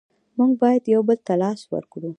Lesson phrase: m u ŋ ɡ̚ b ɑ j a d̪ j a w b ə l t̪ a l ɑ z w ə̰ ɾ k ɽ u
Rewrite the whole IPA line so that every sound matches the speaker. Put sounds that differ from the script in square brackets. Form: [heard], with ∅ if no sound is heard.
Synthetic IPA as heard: m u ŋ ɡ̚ b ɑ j a d̪ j a w b ə l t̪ a l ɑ [s] w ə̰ ɾ k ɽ u